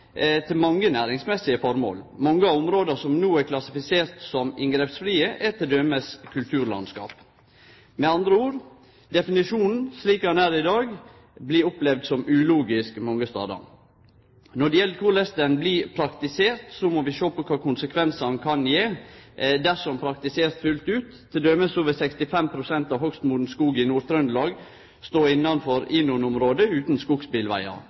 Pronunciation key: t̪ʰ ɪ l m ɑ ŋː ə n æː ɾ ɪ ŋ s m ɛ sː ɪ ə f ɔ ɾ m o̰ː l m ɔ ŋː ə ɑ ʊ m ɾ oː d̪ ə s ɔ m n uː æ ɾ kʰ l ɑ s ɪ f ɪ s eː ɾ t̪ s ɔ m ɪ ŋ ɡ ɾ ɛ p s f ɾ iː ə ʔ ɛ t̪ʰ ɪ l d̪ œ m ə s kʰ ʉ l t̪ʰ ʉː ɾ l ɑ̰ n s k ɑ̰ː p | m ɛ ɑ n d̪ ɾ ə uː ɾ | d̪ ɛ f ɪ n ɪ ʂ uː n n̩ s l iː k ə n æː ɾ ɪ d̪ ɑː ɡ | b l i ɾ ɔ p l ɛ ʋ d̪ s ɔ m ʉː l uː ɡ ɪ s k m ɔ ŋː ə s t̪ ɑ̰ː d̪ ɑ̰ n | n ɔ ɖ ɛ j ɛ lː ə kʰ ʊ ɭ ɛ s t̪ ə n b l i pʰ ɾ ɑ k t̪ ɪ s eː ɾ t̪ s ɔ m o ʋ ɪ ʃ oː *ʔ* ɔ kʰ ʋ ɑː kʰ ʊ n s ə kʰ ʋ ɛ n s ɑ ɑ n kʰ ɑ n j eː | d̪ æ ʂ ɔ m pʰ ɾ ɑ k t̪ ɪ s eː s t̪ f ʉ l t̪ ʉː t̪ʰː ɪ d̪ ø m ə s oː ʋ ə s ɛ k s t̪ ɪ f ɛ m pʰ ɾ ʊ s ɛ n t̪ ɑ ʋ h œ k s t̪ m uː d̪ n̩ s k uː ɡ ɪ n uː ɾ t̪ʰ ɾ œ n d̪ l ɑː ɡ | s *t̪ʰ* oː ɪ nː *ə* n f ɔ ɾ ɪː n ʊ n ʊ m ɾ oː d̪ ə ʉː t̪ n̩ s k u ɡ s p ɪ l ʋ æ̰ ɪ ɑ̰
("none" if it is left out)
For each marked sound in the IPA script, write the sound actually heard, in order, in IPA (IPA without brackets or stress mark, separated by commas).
p, t̪, ɑ